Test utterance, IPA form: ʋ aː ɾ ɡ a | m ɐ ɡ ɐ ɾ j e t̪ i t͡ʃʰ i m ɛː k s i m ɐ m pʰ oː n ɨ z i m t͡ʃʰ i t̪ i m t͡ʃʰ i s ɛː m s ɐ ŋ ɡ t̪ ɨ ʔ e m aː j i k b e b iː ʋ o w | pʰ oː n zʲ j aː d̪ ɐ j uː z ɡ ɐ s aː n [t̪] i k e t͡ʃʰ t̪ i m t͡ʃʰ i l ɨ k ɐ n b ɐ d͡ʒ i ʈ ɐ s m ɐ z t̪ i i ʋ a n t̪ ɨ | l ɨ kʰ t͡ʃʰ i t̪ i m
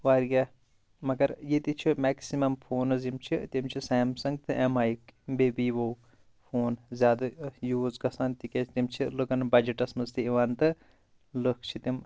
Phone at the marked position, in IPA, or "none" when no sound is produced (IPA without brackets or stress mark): t̪